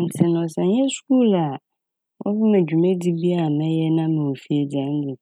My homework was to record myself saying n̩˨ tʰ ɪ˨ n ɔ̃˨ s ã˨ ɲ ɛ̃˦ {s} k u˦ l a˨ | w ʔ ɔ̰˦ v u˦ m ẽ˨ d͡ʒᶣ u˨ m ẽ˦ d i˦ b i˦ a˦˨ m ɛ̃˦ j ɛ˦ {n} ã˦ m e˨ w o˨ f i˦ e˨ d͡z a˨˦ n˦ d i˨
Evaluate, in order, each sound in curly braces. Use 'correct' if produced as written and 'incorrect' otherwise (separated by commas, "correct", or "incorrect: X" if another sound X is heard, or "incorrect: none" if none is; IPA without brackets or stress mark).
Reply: correct, correct